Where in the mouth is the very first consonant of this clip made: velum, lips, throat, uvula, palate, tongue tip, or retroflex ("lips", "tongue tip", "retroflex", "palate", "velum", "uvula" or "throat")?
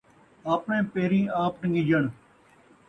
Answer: lips